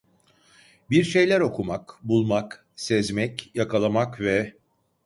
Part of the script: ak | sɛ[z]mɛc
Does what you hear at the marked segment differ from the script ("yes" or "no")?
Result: no